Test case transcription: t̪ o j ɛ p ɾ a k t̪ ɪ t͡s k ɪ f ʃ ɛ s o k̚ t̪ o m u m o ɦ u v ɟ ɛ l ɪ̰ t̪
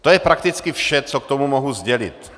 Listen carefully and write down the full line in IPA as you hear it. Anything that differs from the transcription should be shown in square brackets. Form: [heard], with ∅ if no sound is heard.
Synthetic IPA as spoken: t̪ o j ɛ p ɾ a k t̪ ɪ t͡s k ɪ f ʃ ɛ [t͡s] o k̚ t̪ o m u m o ɦ u [z] ɟ ɛ l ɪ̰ t̪